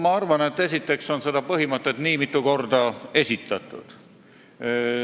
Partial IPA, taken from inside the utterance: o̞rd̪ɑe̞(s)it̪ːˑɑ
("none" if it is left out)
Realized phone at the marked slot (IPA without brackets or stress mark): s